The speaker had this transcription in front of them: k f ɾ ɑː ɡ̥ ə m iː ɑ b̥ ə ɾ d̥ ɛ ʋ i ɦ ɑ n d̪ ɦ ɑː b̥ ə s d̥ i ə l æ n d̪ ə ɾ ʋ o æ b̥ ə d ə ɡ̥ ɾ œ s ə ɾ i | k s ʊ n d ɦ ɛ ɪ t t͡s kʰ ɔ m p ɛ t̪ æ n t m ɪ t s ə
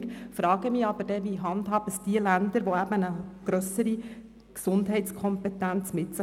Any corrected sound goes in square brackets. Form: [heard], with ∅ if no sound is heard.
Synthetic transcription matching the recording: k f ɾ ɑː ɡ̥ ə m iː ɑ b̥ ə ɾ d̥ ɛ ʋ i ɦ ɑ n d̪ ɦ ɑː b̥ ə s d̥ i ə l æ n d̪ ə ɾ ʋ o æ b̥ ə [n] ə ɡ̥ ɾ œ s ə ɾ i | k s ʊ n d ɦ ɛ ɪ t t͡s kʰ ɔ m p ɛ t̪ æ n [t͡s] m ɪ t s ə